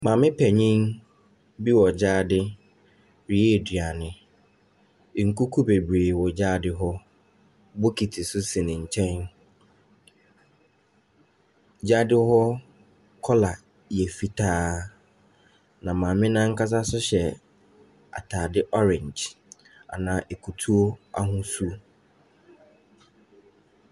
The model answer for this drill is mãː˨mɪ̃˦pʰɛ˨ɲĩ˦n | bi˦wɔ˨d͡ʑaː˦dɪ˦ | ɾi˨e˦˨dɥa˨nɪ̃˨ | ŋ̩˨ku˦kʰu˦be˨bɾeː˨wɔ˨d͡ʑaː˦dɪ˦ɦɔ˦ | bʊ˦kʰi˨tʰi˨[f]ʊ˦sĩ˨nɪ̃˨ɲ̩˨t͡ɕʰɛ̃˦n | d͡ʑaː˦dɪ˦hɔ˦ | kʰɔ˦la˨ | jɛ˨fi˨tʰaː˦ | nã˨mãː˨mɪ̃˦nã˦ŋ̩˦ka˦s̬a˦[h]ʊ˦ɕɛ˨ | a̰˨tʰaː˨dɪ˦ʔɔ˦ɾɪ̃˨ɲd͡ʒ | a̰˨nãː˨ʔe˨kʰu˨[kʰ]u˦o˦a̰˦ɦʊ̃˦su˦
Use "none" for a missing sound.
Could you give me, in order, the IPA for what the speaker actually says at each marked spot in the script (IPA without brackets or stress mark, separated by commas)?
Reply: s, s, tʰ